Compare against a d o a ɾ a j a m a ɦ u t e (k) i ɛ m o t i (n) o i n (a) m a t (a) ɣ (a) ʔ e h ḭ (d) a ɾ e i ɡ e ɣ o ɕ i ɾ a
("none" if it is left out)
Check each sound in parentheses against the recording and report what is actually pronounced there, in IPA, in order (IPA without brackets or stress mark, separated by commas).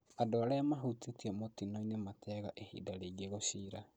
t, n, e, ɛ, a, d